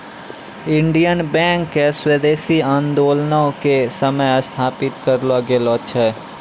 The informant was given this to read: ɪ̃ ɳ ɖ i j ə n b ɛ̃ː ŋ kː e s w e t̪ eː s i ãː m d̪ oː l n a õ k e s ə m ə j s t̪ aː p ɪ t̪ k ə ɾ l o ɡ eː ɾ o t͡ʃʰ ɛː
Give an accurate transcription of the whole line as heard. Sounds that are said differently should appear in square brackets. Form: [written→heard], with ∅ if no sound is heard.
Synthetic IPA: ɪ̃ ɳ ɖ i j ə n b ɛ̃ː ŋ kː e s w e [t̪→d̪] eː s i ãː [m→n] d̪ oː l n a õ k e s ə m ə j s [t̪→t̪ʰ] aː p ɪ t̪ k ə ɾ l o ɡ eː [ɾ→l] o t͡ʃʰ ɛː